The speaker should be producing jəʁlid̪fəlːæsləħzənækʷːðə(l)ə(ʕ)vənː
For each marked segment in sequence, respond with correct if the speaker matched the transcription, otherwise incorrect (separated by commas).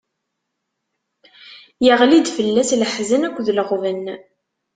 correct, incorrect